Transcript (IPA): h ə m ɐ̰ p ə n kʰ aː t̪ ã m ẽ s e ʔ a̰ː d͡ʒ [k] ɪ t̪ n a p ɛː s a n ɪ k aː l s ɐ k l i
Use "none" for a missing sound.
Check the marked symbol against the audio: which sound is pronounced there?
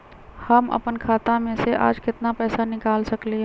k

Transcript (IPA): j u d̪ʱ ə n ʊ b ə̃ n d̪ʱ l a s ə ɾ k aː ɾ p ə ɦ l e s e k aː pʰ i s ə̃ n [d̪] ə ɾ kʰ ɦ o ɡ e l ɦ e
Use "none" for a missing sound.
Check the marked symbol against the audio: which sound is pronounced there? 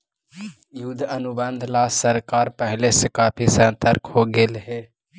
t̪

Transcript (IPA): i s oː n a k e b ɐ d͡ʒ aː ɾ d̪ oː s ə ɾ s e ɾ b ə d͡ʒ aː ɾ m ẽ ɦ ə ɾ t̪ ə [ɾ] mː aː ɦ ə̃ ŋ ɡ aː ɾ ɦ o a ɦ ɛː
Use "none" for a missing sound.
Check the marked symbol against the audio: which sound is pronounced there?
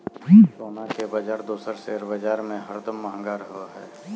none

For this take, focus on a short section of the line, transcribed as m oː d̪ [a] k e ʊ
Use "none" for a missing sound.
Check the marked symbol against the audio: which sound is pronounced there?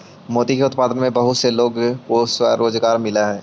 i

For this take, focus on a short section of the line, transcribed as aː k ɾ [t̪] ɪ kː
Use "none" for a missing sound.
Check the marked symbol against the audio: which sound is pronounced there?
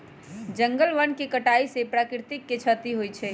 t̪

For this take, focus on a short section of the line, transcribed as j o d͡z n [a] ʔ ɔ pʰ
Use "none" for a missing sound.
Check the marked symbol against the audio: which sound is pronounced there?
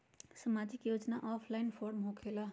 a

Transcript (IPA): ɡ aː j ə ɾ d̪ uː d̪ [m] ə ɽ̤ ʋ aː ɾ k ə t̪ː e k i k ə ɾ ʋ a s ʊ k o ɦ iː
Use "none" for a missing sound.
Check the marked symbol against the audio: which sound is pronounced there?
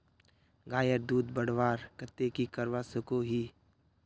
b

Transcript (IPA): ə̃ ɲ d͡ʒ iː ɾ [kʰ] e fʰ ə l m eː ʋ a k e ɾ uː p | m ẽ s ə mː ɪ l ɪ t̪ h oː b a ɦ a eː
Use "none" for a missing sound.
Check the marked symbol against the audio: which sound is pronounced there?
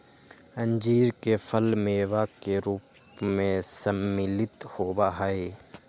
k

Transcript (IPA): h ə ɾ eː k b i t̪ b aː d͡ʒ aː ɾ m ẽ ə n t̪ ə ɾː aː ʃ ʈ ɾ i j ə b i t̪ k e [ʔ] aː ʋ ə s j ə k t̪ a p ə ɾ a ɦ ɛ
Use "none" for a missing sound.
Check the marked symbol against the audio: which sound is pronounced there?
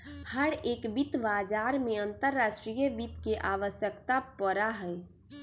ʔ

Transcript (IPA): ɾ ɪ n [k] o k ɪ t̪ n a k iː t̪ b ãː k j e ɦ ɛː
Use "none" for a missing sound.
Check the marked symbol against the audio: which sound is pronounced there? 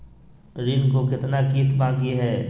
k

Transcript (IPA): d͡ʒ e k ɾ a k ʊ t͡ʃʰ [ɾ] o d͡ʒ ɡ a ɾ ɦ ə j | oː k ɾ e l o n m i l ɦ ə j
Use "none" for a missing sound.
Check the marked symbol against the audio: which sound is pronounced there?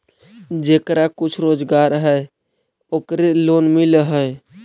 ɾ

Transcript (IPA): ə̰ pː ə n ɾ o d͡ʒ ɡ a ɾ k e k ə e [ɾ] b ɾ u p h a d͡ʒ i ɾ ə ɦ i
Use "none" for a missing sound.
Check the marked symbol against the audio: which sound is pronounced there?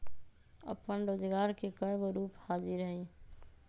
none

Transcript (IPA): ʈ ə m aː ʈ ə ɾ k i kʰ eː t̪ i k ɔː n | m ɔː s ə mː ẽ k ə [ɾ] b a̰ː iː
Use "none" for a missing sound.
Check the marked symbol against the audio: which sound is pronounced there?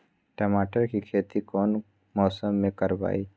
ɾ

